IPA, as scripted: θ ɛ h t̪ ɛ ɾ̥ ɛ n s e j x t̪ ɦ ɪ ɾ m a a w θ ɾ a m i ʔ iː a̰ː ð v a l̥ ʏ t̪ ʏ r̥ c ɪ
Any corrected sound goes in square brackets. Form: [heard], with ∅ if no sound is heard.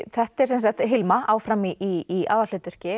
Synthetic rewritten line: θ ɛ h t̪ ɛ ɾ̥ ɛ n s [a] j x t̪ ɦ ɪ [l] m a a w [f] ɾ a m i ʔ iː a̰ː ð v a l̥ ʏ t̪ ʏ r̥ c ɪ